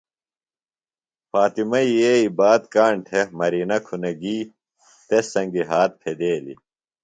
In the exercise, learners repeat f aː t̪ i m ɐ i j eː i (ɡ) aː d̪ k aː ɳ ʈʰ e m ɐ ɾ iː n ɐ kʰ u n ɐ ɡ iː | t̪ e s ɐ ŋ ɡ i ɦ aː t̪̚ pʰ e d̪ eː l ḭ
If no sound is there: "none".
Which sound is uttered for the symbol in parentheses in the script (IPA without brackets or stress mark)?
b